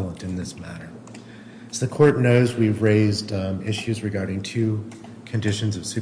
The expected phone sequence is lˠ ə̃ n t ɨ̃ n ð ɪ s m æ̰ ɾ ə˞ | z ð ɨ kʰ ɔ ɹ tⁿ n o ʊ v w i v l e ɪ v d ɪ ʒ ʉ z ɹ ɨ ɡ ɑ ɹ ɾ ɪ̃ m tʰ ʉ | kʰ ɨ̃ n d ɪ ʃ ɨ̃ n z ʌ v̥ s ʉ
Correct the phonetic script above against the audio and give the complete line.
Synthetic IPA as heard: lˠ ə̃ n t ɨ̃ n ð ɪ s m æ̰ ɾ ə˞ | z ð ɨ kʰ ɔ ɹ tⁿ n o ʊ z w i v ɹ e ɪ z d ɪ ʃ ʉ z ɹ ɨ ɡ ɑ ɹ ɾ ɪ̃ ŋ tʰ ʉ | kʰ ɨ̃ n d ɪ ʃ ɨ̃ n z ʌ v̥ s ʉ